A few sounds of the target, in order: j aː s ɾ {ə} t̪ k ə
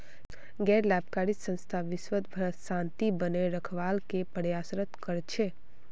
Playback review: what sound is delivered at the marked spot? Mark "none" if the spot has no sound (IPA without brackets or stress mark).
ə